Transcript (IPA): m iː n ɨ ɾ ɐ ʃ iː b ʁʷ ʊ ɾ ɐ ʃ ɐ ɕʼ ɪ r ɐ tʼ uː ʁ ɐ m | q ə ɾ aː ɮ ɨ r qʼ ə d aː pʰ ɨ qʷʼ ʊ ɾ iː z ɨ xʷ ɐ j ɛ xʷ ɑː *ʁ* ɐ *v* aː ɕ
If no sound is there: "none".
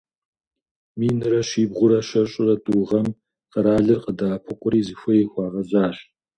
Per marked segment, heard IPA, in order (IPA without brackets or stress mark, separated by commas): ʁ, z